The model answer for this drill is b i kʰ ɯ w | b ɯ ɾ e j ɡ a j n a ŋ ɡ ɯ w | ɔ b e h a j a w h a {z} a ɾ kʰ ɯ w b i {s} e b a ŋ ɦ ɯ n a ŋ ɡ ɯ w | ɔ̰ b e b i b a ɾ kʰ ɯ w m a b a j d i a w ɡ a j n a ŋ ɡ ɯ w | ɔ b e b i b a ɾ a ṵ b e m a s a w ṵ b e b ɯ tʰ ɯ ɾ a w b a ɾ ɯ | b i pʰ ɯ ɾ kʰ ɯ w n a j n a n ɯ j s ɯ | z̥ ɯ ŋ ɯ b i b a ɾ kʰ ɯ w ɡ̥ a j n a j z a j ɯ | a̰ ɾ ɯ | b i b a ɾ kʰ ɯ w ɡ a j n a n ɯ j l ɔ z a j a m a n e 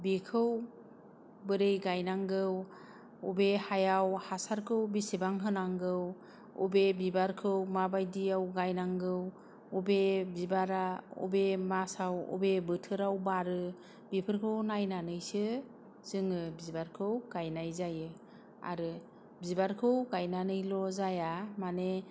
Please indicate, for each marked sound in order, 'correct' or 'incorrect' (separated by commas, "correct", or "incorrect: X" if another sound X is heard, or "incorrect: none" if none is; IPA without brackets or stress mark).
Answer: incorrect: s, correct